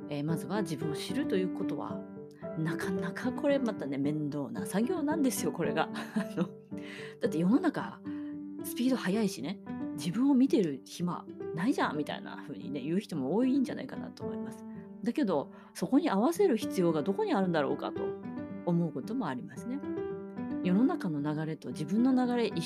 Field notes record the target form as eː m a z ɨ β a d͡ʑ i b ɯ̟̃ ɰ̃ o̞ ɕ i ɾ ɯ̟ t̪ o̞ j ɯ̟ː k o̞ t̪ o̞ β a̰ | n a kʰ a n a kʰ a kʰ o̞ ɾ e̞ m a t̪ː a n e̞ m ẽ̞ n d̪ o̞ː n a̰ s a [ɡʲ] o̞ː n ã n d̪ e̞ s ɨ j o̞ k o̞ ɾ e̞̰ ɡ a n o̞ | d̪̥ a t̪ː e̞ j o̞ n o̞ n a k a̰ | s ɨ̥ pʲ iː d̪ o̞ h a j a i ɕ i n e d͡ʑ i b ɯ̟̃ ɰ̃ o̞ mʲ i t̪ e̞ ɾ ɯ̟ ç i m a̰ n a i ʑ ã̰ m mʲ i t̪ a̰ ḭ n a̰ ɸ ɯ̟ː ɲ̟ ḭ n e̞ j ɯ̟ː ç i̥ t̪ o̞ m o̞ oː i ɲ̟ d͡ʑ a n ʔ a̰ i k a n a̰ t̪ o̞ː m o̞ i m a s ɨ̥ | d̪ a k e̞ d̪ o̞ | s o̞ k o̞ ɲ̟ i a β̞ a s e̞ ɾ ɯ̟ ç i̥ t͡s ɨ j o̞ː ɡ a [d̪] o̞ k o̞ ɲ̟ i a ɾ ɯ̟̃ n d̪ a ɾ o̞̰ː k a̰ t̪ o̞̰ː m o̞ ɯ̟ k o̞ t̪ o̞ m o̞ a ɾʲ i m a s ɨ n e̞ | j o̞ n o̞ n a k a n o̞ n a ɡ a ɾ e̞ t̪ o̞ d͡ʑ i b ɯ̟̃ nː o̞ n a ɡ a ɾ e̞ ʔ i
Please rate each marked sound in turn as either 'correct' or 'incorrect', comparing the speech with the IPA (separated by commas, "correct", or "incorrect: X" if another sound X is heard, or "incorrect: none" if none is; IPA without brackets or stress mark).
correct, correct